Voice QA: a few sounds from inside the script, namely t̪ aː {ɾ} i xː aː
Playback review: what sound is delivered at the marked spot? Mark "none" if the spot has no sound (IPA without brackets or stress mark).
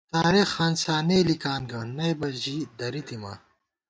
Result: ɾ